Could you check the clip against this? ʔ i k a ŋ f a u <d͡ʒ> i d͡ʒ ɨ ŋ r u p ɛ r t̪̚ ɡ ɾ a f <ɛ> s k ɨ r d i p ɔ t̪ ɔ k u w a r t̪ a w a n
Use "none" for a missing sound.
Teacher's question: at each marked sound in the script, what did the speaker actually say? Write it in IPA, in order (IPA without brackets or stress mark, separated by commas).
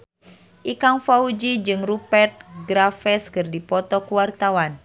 d͡ʒ, ɛ